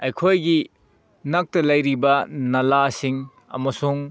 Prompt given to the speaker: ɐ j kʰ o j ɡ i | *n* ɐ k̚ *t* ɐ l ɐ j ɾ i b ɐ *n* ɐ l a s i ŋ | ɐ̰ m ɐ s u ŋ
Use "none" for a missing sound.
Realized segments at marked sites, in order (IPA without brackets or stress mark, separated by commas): n, t, n